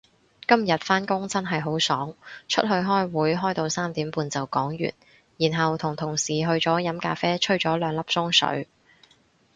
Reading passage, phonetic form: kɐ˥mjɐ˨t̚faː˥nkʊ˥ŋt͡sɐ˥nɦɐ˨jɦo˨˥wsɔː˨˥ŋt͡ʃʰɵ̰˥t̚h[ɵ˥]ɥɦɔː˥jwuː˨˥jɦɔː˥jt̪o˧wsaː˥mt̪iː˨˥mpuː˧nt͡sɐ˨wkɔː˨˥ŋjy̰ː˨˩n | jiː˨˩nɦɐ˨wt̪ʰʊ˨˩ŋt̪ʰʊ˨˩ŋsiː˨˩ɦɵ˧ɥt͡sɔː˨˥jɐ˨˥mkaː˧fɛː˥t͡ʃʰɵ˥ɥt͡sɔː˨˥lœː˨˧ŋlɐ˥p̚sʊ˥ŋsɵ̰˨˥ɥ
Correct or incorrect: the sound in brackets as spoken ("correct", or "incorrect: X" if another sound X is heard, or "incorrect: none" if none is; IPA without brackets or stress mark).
incorrect: ɵ˧